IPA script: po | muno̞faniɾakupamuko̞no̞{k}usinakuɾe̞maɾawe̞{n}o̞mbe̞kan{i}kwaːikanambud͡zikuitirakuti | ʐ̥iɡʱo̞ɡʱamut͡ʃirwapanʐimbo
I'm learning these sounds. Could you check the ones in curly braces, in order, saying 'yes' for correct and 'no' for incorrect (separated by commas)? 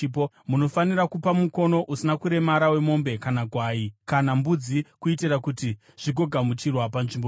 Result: no, no, no